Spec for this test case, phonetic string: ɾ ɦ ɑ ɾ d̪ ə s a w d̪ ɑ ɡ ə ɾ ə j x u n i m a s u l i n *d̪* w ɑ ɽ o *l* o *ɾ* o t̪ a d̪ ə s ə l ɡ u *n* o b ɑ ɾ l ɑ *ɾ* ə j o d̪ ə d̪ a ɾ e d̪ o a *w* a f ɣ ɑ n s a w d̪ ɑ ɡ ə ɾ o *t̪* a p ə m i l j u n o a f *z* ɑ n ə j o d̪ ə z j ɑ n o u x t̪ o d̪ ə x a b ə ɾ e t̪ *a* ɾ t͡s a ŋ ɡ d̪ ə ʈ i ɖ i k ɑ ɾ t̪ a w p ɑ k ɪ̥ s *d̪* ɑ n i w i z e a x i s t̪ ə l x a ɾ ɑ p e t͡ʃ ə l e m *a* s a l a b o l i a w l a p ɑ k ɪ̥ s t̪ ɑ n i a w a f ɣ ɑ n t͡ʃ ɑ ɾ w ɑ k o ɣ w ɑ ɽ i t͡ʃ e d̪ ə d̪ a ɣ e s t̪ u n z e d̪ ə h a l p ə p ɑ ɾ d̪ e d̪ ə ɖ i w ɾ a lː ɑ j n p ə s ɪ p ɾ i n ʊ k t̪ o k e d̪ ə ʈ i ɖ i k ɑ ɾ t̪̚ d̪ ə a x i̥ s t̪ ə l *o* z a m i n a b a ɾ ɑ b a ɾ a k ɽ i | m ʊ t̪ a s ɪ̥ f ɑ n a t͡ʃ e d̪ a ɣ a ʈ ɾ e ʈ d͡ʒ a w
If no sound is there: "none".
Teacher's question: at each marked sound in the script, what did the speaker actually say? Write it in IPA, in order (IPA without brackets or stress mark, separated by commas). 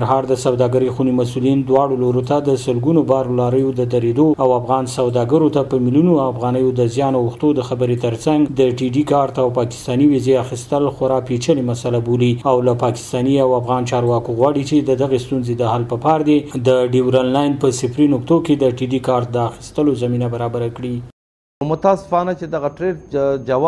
d̪, l, ɾ, n, ɾ, w, t̪, ɣ, ə, t̪, a, o